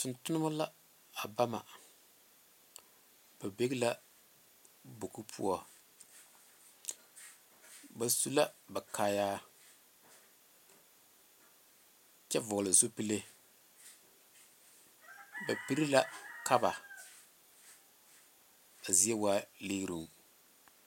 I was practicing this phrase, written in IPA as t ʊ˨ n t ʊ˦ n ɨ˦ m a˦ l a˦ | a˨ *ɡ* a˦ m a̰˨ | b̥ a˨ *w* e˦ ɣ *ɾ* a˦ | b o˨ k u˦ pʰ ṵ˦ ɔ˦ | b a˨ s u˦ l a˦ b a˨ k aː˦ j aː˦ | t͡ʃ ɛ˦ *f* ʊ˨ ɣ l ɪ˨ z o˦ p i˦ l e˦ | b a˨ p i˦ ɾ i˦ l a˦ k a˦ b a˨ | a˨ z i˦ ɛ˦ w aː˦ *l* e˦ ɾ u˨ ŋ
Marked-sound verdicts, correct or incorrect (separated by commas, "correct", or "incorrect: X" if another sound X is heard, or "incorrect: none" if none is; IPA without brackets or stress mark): incorrect: b, incorrect: b, incorrect: l, incorrect: v, correct